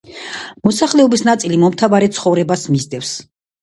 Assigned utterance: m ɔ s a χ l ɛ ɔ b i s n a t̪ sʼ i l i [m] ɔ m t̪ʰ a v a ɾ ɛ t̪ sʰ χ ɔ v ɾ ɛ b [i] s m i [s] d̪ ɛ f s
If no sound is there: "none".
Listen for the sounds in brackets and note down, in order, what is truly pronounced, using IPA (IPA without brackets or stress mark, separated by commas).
m, a, z